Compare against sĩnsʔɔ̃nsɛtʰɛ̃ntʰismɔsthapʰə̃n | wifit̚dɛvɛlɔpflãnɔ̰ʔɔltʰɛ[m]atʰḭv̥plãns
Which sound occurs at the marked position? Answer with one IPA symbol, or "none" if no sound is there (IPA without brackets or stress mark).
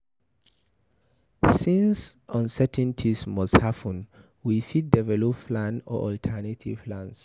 n